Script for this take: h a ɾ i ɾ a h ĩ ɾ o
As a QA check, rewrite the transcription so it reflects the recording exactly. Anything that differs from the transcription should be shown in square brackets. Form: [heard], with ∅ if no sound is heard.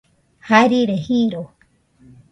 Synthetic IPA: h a ɾ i ɾ [e] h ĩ ɾ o